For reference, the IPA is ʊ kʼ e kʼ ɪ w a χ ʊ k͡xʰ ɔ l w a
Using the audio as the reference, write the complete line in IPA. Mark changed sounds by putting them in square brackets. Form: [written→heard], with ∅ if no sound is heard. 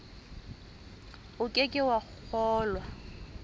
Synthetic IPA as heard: ʊ kʼ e kʼ ɪ w a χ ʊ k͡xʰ [ɔ→ɔː] l w a

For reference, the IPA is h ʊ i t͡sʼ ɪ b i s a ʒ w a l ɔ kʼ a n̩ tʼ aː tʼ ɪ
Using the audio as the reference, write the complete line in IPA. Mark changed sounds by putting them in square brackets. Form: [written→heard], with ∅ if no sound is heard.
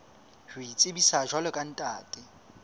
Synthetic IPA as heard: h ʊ i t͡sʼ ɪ b i s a ʒ w a l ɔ kʼ a n̩ tʼ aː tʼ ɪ

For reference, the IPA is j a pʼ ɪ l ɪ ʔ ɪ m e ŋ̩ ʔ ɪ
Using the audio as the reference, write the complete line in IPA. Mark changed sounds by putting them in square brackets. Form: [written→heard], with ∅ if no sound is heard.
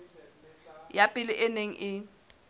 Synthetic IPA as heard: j a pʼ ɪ l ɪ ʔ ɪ [m→n] e ŋ̩ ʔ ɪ

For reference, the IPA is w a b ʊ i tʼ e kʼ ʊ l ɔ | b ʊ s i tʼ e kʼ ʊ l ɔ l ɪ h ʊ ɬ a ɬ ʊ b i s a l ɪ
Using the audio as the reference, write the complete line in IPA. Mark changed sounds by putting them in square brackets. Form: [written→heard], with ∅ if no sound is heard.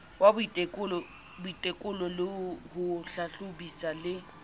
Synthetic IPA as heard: w a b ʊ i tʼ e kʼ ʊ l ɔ | b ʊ [s→∅] i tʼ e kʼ ʊ l ɔ l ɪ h ʊ ɬ a ɬ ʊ b i s a l ɪ

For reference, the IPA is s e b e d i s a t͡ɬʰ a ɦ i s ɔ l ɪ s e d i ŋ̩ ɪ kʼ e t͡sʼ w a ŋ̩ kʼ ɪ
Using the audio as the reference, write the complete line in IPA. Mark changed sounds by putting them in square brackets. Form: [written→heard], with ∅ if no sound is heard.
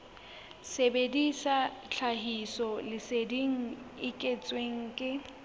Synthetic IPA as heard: s e b e d i s a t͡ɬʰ a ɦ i s ɔ l ɪ s e d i ŋ̩ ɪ kʼ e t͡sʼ w [a→e] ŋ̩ kʼ ɪ

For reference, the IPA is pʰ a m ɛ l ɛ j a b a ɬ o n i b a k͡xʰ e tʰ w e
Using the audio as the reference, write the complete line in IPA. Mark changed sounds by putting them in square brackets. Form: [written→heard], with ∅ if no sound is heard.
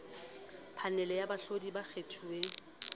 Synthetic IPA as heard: pʰ a [m→n] ɛ l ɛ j a b a ɬ o [n→d] i b a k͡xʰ e tʰ [w→u] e

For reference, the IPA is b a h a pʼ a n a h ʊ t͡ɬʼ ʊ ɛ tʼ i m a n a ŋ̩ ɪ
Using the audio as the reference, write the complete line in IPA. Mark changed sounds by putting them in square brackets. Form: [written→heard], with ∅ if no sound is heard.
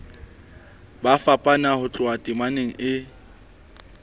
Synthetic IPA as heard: b a [h→f] a pʼ a n a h ʊ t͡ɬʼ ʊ [ɛ→a] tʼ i m a n [a→e] ŋ̩ ɪ

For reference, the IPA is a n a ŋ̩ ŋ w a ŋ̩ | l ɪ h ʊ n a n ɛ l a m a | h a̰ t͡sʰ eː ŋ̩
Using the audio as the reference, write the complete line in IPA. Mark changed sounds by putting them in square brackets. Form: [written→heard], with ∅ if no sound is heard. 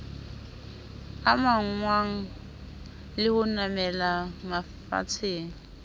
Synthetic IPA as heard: a [n→m] a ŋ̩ ŋ w a ŋ̩ | l ɪ h ʊ n a [n→m] ɛ l a m a | [h→f] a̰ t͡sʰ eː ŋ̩

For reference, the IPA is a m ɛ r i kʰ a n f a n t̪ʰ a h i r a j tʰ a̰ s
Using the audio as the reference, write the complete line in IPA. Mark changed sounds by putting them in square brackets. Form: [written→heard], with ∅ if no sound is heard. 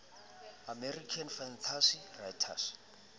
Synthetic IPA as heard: a m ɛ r i kʰ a n f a n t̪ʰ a [h→s] i r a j tʰ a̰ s

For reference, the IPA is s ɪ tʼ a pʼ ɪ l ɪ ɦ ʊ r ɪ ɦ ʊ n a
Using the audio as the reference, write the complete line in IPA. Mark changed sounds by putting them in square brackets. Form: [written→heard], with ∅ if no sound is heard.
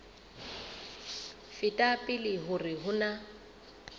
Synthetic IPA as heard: [s→f] ɪ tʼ a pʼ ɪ l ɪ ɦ ʊ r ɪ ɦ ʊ n a

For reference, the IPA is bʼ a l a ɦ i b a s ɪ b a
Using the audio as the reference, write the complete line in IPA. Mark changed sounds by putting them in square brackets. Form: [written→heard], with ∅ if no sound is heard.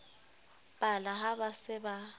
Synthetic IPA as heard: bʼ a l a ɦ [i→a] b a s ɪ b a

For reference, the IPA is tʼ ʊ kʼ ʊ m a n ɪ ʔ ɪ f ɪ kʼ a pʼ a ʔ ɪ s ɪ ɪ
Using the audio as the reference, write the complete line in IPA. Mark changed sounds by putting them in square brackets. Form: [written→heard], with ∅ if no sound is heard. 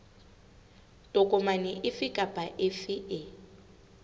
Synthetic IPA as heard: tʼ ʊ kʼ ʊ m a n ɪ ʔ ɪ f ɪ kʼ a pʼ a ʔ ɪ [s→f] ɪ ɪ

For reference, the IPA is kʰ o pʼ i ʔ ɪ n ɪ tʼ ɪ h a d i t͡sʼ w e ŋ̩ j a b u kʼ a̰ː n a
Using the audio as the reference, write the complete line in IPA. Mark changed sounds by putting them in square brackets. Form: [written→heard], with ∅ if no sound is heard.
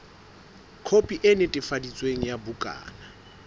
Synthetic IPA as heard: kʰ o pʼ i ʔ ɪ n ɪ tʼ ɪ [h→f] a d i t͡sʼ w e ŋ̩ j a b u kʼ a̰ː n a

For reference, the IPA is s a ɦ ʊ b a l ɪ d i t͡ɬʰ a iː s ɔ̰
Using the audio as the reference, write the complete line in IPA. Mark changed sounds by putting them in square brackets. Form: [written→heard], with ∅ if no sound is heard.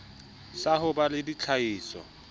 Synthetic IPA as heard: s a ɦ ʊ b a l ɪ d i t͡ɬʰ a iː s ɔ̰

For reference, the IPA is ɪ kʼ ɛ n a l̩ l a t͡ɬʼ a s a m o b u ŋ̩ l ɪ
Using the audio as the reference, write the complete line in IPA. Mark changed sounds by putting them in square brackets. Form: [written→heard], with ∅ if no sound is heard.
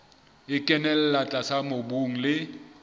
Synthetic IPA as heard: ɪ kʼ ɛ n [a→ɛ] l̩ l a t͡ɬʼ a s a m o b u ŋ̩ l ɪ

